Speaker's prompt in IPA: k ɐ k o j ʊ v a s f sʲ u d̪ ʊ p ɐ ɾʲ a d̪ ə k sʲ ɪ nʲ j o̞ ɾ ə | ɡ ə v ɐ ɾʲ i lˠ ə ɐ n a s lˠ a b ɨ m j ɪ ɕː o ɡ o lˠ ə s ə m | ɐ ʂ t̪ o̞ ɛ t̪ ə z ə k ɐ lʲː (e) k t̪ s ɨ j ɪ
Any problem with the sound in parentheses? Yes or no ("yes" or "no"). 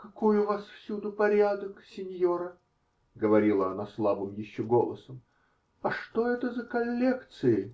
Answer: no